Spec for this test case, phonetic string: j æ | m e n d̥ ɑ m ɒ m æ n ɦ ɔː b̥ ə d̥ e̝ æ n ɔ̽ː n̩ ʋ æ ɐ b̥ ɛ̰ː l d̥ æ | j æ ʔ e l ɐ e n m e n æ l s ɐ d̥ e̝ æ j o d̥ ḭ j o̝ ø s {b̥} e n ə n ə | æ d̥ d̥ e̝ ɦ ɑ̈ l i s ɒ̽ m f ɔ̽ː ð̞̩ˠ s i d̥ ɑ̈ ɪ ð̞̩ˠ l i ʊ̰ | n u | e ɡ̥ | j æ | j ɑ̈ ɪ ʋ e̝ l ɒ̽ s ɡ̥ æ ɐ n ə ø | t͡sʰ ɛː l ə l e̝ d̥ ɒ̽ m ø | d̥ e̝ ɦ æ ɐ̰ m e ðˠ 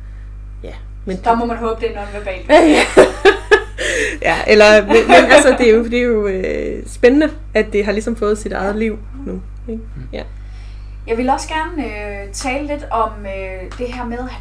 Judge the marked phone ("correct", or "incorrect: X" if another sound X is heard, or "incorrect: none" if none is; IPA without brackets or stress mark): correct